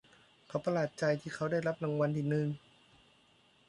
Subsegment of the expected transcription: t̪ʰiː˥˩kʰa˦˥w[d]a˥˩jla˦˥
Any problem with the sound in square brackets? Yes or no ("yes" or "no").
no